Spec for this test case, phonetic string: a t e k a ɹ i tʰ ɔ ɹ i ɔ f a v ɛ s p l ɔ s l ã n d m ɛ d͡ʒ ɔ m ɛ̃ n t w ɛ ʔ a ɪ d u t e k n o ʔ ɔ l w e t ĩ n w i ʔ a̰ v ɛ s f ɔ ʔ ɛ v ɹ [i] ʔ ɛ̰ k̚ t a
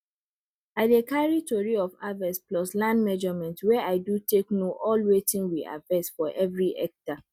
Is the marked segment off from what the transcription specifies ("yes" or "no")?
no